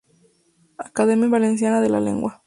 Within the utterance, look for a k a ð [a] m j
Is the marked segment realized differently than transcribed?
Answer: yes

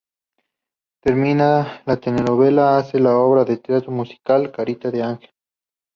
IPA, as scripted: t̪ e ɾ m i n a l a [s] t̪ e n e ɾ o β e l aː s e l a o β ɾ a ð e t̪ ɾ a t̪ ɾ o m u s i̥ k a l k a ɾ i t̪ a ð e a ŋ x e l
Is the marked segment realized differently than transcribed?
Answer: yes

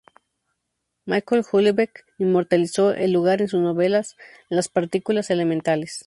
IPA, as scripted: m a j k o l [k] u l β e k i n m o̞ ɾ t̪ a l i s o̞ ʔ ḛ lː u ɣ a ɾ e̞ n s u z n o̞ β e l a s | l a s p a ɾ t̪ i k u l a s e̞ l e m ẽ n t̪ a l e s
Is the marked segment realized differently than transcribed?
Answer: yes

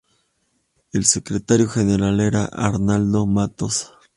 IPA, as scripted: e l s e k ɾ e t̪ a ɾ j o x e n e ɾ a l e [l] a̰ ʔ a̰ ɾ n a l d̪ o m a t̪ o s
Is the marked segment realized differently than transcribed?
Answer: yes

